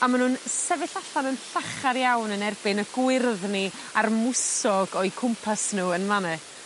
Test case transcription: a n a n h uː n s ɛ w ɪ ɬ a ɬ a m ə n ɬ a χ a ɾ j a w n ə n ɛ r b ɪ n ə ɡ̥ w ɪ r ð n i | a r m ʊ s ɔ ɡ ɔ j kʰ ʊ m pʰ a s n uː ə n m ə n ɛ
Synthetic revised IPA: a m a n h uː n s ɛ v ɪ ɬ a ɬ a n ə n ɬ a χ a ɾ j a w n ə n ɛ r b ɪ n ə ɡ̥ w ɪ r ð n i | a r m ʊ s ɔ ɡ ɔ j kʰ ʊ m pʰ a s n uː ə n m a n ɛ